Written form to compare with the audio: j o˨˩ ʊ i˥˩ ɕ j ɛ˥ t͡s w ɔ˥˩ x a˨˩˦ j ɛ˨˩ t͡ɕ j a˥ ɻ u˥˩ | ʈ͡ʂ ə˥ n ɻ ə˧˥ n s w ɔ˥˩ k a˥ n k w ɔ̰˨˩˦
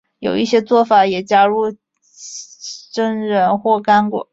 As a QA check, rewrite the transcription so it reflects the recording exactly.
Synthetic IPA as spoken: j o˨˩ ʊ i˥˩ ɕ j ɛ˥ t͡s w ɔ˥˩ f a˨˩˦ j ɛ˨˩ t͡ɕ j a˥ ɻ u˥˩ | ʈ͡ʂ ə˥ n ɻ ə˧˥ n x w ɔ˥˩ k a˥ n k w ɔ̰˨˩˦

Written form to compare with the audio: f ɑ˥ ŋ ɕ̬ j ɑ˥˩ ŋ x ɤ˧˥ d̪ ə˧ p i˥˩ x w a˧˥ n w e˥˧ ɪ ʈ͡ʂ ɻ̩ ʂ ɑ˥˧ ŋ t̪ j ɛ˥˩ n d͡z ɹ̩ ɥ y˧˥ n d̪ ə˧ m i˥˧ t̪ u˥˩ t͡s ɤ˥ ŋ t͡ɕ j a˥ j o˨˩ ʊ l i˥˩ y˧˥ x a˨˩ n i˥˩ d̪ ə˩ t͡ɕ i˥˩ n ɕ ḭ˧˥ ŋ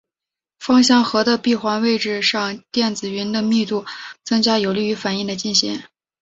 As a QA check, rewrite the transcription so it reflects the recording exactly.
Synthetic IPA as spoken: f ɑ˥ ŋ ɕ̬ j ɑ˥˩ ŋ x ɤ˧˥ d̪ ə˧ p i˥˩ x w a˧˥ n w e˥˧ ɪ ʈ͡ʂ ɻ̩ ʂ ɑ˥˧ ŋ t̪ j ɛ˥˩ n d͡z ɹ̩ ɥ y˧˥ n d̪ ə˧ m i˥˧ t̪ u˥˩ t͡s ɤ˥ ŋ t͡ɕ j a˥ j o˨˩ ʊ l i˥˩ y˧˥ f a˨˩ n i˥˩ d̪ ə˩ t͡ɕ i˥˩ n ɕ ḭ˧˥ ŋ

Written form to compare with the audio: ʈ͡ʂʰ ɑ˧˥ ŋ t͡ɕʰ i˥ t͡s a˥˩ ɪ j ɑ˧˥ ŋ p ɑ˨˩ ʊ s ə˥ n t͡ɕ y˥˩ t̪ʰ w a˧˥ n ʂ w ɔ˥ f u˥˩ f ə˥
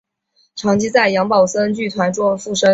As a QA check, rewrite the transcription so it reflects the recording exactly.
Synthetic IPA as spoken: ʈ͡ʂʰ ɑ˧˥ ŋ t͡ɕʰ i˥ t͡s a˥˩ ɪ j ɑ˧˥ ŋ p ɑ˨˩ ʊ s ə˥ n t͡ɕ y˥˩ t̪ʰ w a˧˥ n ʈ͡ʂ w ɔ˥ f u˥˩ ʂ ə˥

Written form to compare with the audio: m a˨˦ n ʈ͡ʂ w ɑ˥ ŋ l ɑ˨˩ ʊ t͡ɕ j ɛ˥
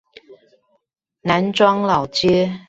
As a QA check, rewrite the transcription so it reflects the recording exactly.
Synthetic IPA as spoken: n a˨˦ n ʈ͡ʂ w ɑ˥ ŋ l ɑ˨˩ ʊ t͡ɕ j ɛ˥

